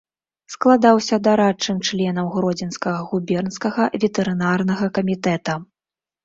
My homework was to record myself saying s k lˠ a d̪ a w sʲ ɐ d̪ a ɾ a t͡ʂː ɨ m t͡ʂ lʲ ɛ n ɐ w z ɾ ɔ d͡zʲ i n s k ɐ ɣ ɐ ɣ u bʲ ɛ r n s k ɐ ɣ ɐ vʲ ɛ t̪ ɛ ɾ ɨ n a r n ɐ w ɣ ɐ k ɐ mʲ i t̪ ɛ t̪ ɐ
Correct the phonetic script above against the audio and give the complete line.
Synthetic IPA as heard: s k lˠ a d̪ a w sʲ ɐ d̪ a ɾ a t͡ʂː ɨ m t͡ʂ lʲ ɛ n ɐ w ɣ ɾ ɔ d͡zʲ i n s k ɐ ɣ ɐ ɣ u bʲ ɛ r n s k ɐ ɣ ɐ vʲ ɛ t̪ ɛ ɾ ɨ n a r n ɐ ɣ ɐ k ɐ mʲ i t̪ ɛ t̪ ɐ